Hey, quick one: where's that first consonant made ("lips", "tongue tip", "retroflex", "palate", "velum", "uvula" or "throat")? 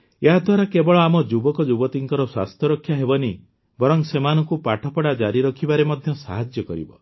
throat